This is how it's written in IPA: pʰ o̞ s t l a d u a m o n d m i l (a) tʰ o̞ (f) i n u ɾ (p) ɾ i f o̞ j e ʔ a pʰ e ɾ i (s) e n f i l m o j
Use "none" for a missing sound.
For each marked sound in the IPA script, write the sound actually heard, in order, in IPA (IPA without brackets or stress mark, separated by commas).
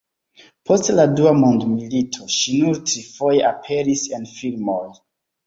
i, ʃ, t, s